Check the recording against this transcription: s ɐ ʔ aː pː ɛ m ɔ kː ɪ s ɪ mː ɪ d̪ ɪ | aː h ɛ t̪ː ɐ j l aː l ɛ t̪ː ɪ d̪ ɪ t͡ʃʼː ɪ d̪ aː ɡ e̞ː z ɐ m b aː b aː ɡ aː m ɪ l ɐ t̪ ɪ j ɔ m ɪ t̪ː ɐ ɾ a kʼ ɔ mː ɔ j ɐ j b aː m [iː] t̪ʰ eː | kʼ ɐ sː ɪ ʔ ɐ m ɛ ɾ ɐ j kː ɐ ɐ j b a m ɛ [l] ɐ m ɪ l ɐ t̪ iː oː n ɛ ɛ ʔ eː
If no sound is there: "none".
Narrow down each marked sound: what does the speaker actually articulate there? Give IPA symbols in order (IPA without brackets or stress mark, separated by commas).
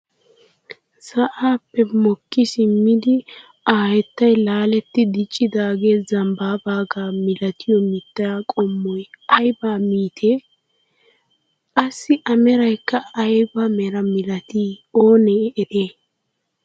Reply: iː, ɾ